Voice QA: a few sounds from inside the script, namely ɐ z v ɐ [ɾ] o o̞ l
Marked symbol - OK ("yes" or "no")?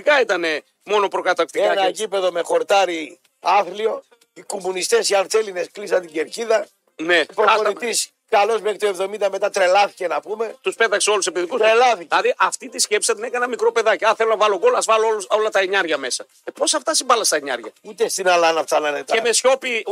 no